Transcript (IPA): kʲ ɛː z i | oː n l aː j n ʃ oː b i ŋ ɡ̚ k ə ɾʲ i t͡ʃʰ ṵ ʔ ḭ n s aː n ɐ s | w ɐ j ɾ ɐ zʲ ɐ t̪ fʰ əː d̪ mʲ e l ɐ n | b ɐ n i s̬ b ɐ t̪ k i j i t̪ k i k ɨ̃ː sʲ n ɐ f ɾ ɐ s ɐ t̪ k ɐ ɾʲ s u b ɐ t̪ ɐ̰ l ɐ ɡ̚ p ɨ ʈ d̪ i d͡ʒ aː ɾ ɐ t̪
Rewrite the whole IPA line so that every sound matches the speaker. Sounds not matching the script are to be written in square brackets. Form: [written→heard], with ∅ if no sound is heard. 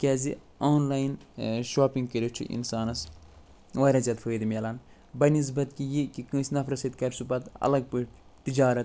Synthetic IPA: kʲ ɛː z i | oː n l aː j n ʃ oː [b→p] i ŋ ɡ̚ k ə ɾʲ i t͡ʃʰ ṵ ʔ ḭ n s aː n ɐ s | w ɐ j ɾ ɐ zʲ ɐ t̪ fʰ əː d̪ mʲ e l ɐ n | b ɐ n i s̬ b ɐ t̪ k i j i [t̪→∅] k i k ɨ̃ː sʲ n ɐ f ɾ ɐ s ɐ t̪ k ɐ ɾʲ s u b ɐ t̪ ɐ̰ l ɐ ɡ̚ p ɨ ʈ [d̪→t̪] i d͡ʒ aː ɾ ɐ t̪

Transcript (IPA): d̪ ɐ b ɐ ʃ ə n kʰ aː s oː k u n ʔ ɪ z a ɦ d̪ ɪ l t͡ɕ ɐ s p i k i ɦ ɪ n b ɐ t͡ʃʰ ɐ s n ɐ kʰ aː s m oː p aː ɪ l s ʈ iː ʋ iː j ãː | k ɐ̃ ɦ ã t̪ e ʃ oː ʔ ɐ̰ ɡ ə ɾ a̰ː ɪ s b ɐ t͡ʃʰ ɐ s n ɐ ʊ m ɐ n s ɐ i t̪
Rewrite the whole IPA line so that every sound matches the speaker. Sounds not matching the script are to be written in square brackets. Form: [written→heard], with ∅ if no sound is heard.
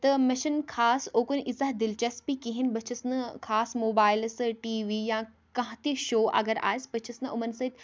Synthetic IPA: [d̪→t̪] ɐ [b→m] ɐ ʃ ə n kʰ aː s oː k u n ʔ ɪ z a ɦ d̪ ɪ l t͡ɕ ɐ s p i k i ɦ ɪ n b ɐ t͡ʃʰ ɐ s n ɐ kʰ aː s m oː [p→b] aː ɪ l s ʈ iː ʋ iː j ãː | k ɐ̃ ɦ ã t̪ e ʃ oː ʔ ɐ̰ ɡ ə ɾ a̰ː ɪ s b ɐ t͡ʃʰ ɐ s n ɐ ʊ m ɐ n s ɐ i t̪

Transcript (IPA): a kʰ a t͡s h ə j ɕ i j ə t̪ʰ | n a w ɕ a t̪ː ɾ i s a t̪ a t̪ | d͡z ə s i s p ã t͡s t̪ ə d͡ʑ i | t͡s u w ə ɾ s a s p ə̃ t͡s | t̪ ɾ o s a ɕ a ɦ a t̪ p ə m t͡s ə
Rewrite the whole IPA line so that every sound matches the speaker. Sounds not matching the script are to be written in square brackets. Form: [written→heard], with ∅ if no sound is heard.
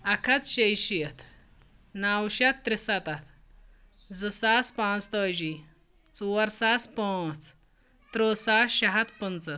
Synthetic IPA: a kʰ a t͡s [h→ɕ] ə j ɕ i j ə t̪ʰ | n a w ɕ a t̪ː ɾ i s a t̪ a t̪ | d͡z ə s [i→a] s p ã t͡s t̪ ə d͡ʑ i | t͡s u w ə ɾ s a s p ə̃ t͡s | t̪ ɾ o s a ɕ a ɦ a t̪ p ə [m→n] t͡s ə

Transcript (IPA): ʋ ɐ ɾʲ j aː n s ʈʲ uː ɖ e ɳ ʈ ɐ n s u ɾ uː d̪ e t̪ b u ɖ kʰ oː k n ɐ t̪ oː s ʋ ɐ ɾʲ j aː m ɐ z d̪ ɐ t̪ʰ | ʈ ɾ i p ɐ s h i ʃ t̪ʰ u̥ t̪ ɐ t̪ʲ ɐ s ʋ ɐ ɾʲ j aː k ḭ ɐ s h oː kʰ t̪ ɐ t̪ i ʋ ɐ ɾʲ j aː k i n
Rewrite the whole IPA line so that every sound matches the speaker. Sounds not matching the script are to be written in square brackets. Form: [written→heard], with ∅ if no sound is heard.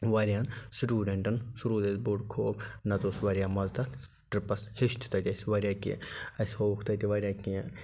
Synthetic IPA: ʋ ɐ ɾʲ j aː n s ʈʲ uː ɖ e ɳ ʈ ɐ n s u ɾ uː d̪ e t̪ b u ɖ kʰ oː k n ɐ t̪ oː s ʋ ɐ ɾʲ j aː m ɐ z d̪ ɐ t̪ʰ | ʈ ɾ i p ɐ s h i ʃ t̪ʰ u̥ t̪ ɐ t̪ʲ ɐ s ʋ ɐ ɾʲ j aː k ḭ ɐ s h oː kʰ t̪ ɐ t̪ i ʋ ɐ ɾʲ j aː k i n

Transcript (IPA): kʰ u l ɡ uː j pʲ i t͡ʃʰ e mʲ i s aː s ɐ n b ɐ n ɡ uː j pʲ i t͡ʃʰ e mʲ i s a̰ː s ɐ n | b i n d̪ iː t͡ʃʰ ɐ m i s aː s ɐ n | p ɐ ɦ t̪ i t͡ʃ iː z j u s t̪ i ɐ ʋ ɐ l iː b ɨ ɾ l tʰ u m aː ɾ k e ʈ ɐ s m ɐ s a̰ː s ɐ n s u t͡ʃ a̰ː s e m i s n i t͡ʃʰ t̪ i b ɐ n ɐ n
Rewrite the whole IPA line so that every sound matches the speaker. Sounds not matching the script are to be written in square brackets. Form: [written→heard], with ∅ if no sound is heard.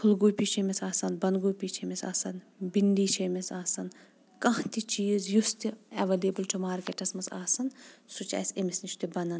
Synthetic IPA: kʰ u l ɡ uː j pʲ i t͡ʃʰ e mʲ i s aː s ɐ n b ɐ n ɡ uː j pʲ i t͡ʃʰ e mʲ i s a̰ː s ɐ n | b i n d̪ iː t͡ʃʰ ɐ m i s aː s ɐ n | [p→k] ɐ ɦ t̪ i t͡ʃ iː z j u s t̪ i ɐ ʋ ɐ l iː b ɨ [ɾ→∅] l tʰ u m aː ɾ k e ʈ ɐ s m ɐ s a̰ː s ɐ n s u t͡ʃ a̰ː s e m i s n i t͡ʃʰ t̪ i b ɐ n ɐ n

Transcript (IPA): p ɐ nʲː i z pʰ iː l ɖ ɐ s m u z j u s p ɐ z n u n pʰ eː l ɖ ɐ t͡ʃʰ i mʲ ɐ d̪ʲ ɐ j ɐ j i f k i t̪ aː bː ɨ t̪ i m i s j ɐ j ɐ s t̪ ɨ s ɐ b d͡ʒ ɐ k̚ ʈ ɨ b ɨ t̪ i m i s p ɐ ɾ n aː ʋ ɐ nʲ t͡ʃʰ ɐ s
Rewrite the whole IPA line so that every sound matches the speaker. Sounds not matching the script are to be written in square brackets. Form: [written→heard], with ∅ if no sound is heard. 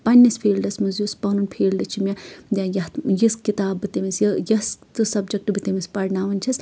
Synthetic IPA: p ɐ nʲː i [z→s] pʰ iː l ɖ ɐ s m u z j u s p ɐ [z→∅] n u n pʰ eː l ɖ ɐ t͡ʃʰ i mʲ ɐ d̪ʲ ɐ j ɐ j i [f→s] k i t̪ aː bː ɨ t̪ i m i s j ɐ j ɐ s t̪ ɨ s ɐ b d͡ʒ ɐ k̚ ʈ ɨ b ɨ t̪ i m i s p ɐ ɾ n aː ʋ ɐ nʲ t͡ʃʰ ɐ s

